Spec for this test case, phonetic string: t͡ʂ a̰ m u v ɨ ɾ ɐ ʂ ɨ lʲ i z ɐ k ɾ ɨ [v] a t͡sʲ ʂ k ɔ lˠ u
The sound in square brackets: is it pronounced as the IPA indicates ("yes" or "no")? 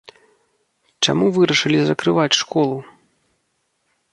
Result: yes